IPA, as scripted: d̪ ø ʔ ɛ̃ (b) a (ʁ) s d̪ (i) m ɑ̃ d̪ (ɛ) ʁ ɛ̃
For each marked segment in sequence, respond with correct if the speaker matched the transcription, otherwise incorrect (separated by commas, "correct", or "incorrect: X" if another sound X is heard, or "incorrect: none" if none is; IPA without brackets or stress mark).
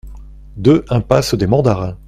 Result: incorrect: p, incorrect: none, incorrect: e, incorrect: a